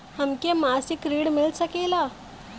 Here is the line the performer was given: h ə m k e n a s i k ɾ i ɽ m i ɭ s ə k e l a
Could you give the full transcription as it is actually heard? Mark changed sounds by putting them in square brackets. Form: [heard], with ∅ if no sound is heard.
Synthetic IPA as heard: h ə m k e [m] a s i k ɾ i ɽ m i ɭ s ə k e l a